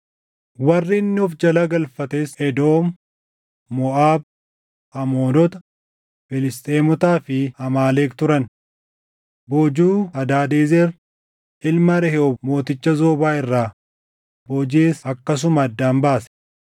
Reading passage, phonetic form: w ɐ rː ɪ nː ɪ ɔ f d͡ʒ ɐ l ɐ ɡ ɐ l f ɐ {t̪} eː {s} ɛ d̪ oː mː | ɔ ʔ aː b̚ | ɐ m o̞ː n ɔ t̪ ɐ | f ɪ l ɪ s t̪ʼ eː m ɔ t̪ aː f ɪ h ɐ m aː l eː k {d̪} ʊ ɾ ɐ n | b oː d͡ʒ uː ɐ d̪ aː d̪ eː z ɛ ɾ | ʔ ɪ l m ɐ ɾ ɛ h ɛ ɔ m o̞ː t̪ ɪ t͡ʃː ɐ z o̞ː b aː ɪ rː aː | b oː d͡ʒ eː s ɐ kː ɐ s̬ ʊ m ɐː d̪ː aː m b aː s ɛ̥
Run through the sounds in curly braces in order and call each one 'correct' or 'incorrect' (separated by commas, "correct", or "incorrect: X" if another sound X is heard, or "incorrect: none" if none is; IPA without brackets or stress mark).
correct, correct, incorrect: t̪